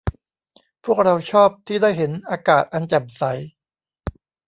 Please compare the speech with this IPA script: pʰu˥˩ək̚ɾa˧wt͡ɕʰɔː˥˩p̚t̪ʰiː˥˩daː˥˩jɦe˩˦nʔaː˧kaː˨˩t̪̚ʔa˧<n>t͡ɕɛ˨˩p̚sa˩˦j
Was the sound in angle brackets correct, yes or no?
yes